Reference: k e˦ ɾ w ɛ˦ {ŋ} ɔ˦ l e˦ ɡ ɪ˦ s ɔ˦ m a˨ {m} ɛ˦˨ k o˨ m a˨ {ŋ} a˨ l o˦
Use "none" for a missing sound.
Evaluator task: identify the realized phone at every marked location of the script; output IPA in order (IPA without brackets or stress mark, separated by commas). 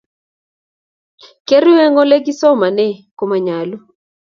ŋ, n, ɲ